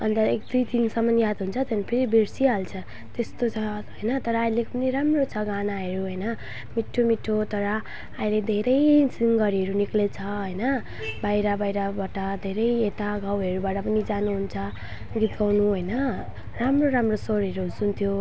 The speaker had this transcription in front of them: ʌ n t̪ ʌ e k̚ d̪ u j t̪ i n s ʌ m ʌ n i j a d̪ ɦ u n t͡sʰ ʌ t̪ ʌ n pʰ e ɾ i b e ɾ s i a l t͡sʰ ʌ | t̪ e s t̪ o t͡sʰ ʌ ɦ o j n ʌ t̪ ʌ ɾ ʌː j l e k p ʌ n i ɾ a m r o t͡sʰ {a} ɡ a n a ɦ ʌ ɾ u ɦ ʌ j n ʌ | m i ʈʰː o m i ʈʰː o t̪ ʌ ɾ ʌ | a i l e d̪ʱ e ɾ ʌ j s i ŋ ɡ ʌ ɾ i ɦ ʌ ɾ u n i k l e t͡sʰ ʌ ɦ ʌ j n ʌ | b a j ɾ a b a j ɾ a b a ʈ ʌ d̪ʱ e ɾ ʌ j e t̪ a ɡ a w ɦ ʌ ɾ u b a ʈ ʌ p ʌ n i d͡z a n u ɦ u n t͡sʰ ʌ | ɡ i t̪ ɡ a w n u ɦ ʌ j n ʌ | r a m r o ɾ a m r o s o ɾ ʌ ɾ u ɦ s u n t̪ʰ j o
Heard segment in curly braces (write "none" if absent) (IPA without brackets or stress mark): ʌ